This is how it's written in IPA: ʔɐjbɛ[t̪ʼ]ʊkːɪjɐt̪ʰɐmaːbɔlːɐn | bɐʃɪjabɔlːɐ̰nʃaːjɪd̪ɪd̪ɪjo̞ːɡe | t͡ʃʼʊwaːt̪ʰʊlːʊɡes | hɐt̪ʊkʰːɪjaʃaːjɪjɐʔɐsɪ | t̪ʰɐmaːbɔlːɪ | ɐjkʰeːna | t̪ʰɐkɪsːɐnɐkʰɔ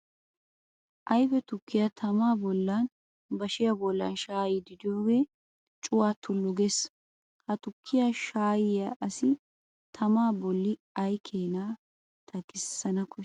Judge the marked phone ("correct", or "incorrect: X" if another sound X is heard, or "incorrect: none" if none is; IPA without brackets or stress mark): incorrect: t̪